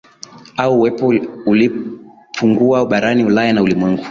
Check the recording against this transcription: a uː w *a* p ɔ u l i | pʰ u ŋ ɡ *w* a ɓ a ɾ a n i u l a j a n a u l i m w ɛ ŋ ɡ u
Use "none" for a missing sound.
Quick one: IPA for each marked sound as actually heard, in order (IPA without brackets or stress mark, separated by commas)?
ɛ, u